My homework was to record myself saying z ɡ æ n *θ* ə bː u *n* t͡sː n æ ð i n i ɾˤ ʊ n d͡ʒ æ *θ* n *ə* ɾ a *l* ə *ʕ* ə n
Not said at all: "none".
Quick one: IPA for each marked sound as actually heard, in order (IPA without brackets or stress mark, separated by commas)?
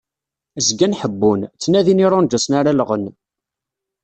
ħ, n, s, a, l, ʁ